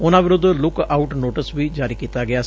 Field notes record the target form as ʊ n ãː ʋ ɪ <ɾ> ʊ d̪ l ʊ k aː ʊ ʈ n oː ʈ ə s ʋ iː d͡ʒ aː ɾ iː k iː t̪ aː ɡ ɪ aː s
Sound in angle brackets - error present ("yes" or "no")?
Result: no